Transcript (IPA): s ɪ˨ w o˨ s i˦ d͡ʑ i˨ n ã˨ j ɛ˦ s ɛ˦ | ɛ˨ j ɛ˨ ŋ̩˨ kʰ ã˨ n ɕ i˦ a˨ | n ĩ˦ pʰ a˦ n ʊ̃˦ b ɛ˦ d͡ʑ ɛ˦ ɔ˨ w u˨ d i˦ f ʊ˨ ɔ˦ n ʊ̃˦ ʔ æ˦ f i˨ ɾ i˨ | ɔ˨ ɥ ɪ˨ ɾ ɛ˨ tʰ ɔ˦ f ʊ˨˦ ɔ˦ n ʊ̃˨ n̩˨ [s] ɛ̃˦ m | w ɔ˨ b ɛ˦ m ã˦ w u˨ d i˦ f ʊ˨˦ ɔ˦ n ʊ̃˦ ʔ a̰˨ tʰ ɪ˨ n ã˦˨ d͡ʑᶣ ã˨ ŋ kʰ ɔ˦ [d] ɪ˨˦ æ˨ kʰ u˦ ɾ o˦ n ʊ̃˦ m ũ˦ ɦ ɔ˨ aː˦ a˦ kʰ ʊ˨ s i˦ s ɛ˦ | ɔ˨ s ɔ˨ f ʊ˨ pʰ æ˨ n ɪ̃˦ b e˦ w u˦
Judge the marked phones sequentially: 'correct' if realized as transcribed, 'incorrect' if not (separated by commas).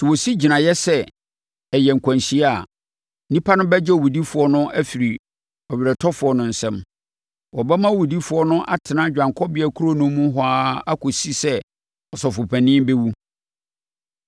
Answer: correct, incorrect